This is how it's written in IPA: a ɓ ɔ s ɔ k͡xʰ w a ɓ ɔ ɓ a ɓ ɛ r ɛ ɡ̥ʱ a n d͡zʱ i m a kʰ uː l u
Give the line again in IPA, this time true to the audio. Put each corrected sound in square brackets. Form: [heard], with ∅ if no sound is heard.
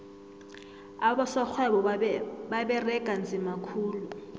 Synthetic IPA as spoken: a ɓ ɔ s ɔ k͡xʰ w [ɛ] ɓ ɔ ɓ a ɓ ɛ r ɛ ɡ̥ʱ a n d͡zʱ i m a kʰ uː l u